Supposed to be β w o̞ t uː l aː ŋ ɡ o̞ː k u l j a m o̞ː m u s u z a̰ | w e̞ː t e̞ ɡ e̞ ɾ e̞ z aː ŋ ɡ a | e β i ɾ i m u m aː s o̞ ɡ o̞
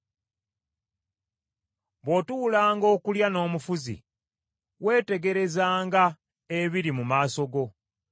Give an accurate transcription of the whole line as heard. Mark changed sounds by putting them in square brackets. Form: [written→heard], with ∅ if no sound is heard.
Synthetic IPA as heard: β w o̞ t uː l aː ŋ ɡ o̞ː k u l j a [m→n] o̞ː m u [s→f] u z [a̰→ḭ] | w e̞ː t e̞ ɡ e̞ ɾ e̞ z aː ŋ ɡ a | e β i ɾ i m u m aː s o̞ ɡ o̞